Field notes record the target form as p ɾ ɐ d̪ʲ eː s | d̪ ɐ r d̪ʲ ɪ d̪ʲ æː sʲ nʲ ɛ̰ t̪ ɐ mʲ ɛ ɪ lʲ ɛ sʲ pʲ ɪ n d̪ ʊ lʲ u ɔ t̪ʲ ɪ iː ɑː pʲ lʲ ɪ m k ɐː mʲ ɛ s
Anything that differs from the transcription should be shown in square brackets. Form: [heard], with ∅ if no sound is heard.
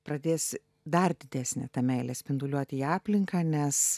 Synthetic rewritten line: p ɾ ɐ d̪ʲ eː s | d̪ ɐ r d̪ʲ ɪ d̪ʲ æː sʲ nʲ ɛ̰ t̪ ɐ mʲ ɛ ɪ lʲ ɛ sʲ pʲ ɪ n d̪ ʊ lʲ u ɔ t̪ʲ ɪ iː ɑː pʲ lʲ ɪ [ŋ] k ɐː [nʲ] ɛ s